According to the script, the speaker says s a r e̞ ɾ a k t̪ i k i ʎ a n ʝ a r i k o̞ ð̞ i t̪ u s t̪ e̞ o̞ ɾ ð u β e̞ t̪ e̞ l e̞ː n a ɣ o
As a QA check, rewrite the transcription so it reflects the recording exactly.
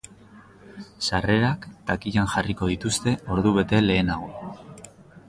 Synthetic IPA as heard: s a r e̞ ɾ a k t̪ a k i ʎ a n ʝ a r i k o̞ ð̞ i t̪ u s t̪ e̞ o̞ ɾ ð u β e̞ t̪ e̞ l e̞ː n a ɣ o